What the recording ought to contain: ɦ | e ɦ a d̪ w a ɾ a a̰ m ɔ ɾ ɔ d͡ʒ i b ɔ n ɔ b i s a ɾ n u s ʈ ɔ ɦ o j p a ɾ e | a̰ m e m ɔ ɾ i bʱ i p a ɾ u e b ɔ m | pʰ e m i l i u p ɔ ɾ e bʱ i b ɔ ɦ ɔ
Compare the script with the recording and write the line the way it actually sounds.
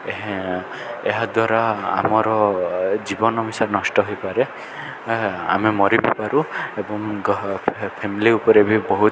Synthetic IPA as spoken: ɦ | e ɦ a d̪ w a ɾ a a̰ m ɔ ɾ ɔ d͡ʒ i b ɔ n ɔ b i s a ɾ n ɔ s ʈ ɔ ɦ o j p a ɾ e | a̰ m e m ɔ ɾ i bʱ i p a ɾ u e b ɔ ŋ | pʰ e m i l i u p ɔ ɾ e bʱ i b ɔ ɦ u